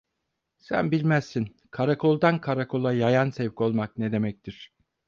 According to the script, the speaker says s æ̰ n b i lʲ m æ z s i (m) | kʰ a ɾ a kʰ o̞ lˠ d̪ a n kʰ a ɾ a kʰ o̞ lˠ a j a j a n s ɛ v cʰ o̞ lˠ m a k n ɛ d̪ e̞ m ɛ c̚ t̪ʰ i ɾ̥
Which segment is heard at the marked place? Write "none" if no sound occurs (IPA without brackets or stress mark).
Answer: n